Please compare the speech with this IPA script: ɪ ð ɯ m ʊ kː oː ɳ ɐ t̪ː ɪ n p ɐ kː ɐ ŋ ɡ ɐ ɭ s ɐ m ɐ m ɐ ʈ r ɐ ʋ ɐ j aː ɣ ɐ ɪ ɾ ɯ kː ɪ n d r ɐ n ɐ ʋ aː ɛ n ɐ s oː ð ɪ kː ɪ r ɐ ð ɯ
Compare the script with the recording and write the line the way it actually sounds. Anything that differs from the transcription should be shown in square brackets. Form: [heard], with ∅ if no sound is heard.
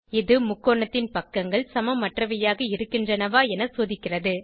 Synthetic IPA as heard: ɪ ð ɯ m ʊ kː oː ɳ ɐ t̪ː ɪ n p ɐ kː ɐ ŋ ɡ ɐ ɭ s ɐ m ɐ m ɐ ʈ r ɐ ʋ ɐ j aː ɣ ɐ ɪ ɾ ɯ kː ɪ n d r ɐ n ɐ ʋ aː ɛ n ɐ s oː ð ɪ kː ɪ r ɐ ð ɯ